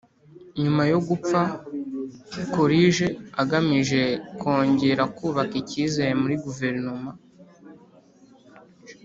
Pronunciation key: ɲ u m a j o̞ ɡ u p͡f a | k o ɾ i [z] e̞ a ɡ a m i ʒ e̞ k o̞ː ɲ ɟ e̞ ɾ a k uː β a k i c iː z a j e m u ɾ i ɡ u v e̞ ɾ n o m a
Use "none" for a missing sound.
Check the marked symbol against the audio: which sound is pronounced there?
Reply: ʒ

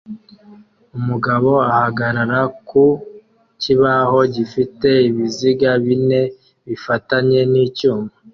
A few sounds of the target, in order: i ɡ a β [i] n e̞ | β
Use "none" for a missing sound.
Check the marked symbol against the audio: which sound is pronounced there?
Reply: i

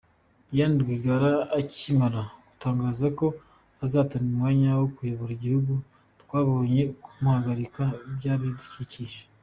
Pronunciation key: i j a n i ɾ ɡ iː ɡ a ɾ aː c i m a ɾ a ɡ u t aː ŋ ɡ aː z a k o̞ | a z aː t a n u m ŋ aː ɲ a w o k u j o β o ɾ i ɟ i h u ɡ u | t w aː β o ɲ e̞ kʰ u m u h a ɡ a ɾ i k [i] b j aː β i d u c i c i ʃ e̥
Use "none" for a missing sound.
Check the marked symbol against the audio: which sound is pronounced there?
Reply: a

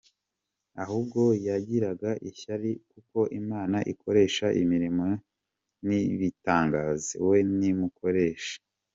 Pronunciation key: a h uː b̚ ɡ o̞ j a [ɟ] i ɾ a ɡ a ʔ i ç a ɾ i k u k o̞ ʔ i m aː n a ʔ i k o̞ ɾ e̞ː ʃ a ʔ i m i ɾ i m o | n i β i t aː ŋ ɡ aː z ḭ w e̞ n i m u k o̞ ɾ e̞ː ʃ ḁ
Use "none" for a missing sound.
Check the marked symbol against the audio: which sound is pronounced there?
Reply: ɟ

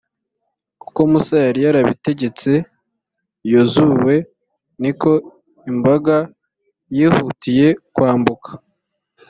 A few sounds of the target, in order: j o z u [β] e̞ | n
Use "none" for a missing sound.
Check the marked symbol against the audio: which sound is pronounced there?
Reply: w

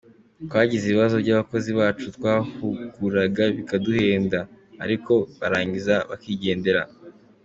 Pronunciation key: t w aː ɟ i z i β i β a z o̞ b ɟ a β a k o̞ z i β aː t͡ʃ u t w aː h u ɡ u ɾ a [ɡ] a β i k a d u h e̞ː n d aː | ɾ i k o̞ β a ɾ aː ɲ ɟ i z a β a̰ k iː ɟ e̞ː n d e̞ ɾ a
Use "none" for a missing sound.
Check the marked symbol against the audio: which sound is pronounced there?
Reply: ɡ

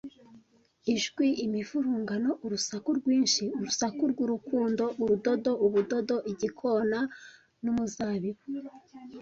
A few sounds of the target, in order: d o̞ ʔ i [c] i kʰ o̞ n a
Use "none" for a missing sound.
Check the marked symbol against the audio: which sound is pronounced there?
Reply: ɟ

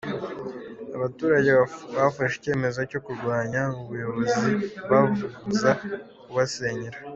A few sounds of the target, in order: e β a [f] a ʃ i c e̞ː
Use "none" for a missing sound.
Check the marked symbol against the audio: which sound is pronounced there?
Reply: f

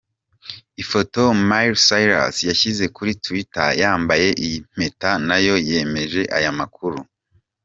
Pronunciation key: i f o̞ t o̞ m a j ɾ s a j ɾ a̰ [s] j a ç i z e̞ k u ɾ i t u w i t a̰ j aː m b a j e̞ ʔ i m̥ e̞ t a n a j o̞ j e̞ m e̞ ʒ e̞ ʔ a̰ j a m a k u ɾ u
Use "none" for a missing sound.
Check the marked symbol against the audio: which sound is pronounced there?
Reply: s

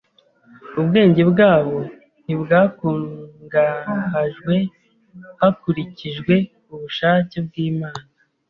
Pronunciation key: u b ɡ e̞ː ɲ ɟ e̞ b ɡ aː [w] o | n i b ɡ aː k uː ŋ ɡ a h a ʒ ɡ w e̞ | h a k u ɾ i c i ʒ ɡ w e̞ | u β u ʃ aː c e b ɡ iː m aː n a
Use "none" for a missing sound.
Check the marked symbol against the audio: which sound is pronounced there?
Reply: β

